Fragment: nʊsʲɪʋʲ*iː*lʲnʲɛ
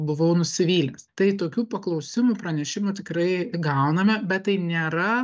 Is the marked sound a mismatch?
no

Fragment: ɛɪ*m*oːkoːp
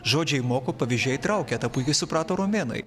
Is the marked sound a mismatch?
no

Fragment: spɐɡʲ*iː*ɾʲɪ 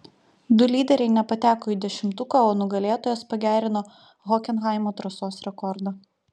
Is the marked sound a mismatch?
yes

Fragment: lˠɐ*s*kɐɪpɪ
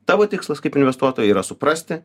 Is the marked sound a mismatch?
no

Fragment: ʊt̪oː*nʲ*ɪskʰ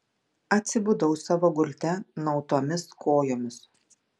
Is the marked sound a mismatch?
yes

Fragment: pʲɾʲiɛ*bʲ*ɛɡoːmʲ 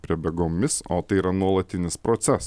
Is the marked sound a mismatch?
no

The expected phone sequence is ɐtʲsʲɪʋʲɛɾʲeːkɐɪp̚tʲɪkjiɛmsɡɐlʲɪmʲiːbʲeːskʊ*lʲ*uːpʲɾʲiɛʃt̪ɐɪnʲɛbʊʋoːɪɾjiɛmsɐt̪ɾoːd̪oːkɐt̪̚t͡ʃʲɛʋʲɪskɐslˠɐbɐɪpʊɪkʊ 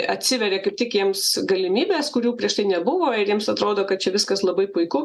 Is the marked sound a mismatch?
yes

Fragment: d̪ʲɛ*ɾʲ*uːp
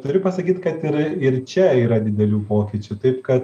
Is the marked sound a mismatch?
yes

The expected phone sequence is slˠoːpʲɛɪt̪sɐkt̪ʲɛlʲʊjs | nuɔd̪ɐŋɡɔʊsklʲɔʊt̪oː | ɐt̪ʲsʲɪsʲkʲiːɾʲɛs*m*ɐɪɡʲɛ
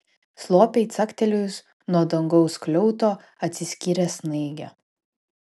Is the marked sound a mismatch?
yes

